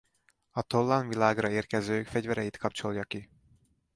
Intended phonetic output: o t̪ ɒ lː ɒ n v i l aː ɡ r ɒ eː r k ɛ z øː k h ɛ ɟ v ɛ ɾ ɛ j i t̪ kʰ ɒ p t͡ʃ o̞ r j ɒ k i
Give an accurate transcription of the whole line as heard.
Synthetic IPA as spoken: ɒ t̪ o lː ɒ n v i l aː ɡ r ɒ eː r k ɛ z øː k f ɛ ɟ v ɛ ɾ ɛ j i t̪ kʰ ɒ p t͡ʃ o̞ l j ɒ k i